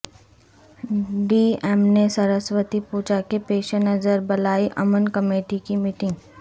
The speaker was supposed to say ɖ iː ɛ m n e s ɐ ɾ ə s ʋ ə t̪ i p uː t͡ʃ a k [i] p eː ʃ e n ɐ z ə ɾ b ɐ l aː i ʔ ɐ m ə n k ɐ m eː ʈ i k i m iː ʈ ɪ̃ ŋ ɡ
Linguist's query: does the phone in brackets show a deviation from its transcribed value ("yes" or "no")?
yes